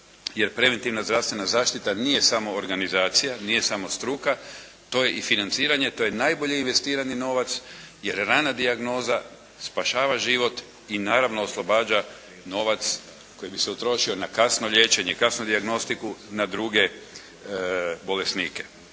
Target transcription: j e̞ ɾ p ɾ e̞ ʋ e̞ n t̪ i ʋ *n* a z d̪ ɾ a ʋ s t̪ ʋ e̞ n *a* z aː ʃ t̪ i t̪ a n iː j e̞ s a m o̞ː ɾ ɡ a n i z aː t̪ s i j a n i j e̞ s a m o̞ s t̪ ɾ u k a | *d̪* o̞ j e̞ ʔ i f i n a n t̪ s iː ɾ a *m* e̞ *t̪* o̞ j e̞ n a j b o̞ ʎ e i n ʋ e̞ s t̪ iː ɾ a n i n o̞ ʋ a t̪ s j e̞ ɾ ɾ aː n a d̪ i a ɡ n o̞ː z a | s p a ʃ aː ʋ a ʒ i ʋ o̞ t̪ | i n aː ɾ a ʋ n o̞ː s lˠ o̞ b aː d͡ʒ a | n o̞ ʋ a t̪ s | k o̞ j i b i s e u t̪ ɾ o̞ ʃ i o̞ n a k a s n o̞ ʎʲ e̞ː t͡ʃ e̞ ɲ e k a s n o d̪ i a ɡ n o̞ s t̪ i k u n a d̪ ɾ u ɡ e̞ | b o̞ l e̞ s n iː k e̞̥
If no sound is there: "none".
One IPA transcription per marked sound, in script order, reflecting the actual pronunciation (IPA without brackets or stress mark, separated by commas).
n, a, t̪, ɲ, t̪